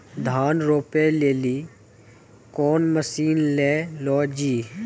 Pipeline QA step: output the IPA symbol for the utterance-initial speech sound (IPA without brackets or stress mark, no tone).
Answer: d̪ʱ